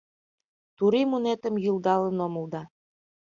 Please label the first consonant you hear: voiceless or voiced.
voiceless